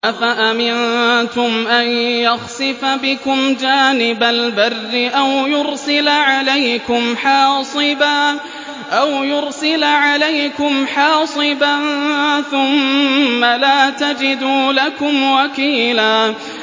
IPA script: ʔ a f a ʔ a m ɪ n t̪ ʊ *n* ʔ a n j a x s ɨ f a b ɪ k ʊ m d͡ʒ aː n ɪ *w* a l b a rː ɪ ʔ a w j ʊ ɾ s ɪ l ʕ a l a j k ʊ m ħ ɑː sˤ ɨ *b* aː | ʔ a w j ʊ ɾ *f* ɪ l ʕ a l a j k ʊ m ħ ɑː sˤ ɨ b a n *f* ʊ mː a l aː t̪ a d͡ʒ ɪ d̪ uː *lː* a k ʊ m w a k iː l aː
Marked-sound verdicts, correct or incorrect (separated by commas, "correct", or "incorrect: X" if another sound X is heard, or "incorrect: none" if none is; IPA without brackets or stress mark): incorrect: m, incorrect: b, correct, incorrect: s, incorrect: θ, incorrect: l